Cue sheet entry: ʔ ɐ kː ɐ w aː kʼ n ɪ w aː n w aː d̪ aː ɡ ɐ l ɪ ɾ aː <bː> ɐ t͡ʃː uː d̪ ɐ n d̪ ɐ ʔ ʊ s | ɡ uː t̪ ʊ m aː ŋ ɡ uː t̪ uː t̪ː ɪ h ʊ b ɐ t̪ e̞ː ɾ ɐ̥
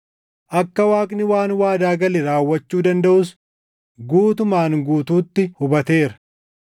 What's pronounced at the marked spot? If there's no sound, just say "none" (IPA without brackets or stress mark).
wː